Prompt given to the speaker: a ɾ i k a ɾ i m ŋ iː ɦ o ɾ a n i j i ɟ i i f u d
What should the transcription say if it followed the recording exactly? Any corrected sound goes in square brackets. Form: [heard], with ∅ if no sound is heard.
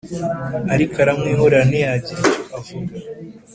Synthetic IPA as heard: a ɾ i k a ɾ [a] m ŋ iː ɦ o ɾ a n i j [a] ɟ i [a] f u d